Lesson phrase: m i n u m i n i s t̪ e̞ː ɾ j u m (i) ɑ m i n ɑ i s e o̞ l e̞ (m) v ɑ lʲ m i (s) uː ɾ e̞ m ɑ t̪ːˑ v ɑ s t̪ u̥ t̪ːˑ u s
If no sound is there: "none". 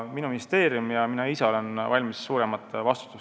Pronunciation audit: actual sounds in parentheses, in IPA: j, n, sː

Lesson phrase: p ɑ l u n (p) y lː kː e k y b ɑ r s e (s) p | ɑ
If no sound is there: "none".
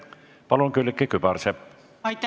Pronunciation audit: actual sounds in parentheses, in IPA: k, none

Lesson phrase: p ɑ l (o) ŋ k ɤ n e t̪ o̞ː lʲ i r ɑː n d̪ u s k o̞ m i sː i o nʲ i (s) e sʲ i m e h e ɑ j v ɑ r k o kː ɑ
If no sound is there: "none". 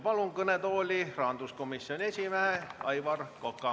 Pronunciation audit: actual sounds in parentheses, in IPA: u, none

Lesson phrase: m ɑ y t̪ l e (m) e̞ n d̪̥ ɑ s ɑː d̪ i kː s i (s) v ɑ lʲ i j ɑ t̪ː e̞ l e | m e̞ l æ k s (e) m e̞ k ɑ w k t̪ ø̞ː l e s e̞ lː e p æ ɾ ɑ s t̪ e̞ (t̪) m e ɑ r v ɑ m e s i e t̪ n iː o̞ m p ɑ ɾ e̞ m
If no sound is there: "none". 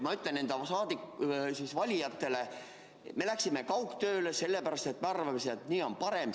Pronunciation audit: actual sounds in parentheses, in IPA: n, s, i, t̪

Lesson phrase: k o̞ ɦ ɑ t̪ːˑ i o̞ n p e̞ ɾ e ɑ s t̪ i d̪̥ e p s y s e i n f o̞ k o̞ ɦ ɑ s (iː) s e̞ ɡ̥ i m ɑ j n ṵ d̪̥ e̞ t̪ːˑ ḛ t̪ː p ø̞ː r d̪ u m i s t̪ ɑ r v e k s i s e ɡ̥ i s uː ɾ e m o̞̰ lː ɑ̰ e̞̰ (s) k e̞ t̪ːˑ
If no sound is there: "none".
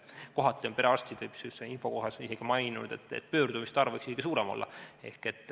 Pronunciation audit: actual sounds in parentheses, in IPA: i, h

